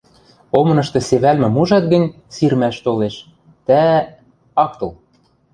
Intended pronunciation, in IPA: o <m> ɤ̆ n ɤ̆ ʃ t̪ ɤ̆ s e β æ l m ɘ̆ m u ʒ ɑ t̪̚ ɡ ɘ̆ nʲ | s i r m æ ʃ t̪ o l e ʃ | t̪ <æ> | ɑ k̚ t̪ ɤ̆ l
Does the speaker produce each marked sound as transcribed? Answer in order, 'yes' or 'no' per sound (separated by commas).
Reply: yes, yes